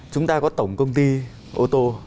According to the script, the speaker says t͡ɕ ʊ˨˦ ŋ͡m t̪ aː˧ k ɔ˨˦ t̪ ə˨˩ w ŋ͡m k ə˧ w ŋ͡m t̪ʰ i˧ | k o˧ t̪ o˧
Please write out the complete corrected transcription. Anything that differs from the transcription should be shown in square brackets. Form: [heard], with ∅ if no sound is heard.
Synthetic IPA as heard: t͡ɕ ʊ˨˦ ŋ͡m t̪ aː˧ k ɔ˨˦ t̪ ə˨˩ w ŋ͡m k ə˧ w ŋ͡m [t̪] i˧ | [ʔ] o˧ t̪ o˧